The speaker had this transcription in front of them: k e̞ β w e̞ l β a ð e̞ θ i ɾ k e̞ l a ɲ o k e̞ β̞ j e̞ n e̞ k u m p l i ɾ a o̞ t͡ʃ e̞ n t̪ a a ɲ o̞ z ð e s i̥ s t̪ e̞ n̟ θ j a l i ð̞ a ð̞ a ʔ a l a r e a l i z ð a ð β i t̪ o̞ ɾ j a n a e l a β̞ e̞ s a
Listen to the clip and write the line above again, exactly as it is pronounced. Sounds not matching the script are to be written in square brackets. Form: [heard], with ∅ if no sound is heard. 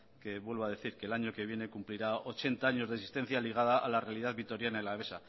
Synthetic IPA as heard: k e̞ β w e̞ l β a ð e̞ θ i ɾ k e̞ l a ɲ o k e̞ β̞ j e̞ n e̞ k u m p l i ɾ a o̞ t͡ʃ e̞ n t̪ a a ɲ o̞ z ð e s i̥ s t̪ e̞ n̟ θ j a l i [ɣ̞] a ð̞ a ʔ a l a r e a l i [∅] ð a ð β i t̪ o̞ ɾ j a n a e l a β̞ e̞ s a